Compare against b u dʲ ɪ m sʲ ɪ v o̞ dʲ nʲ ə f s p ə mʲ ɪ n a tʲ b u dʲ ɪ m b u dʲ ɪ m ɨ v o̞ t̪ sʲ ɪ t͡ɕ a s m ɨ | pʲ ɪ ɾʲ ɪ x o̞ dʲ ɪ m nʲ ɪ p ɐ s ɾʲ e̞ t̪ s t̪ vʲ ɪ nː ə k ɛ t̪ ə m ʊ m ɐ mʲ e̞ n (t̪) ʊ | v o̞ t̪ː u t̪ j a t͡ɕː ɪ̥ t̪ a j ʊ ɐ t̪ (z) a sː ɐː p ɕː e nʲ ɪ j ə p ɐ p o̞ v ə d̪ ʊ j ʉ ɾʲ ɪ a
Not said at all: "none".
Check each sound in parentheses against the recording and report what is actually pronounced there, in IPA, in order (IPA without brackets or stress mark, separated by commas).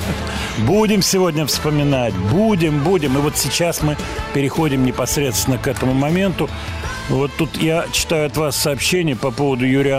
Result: t̪, v